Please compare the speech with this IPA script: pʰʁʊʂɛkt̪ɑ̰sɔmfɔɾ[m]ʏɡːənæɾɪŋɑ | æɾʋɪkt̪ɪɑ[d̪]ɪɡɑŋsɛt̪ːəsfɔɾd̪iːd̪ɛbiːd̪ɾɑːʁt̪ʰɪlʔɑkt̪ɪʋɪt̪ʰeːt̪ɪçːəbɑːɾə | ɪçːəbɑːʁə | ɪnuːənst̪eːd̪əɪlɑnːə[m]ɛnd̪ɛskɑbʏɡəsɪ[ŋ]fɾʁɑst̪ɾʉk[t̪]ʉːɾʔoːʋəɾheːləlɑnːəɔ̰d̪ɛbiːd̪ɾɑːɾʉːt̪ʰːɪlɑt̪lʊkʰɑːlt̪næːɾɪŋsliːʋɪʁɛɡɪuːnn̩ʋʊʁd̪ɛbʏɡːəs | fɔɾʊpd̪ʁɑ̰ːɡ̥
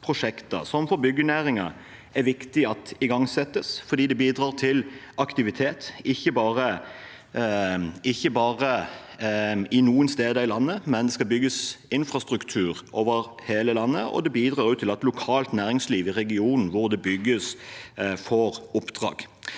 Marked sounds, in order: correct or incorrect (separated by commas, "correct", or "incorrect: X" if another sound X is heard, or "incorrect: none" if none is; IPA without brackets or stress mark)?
incorrect: b, incorrect: t̪, correct, incorrect: n, incorrect: t̪ʰ